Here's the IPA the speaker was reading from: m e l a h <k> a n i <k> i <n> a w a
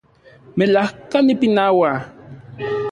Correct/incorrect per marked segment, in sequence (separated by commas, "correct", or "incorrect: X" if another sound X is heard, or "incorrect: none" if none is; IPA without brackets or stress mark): correct, incorrect: p, correct